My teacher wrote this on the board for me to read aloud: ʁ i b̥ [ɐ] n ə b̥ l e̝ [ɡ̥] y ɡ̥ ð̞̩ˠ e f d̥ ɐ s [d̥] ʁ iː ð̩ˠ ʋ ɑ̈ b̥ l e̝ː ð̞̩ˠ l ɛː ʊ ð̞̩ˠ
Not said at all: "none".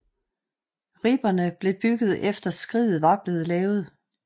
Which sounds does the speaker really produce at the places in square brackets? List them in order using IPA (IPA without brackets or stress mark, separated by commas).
ɐ, b̥, ɡ̥